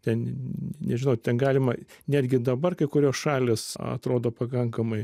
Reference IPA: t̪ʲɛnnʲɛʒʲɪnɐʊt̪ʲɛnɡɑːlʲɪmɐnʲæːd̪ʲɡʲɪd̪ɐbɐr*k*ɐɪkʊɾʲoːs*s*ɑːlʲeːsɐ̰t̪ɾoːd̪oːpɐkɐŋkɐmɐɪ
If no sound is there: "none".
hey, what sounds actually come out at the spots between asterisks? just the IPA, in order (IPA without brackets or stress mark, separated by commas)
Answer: k, ʃ